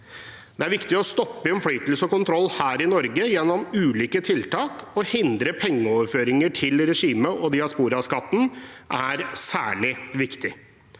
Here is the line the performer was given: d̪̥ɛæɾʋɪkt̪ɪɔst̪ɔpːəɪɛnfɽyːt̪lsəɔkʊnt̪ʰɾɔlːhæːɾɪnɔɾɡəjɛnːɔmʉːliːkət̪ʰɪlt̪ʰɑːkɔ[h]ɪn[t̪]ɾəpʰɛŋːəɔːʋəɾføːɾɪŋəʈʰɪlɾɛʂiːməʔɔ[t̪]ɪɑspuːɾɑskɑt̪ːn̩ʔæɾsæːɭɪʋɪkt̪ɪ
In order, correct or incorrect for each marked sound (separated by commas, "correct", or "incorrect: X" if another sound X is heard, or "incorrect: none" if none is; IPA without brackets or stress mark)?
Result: correct, incorrect: d̪, incorrect: d̪